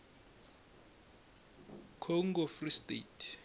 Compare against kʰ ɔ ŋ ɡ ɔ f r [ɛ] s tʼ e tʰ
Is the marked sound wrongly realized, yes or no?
yes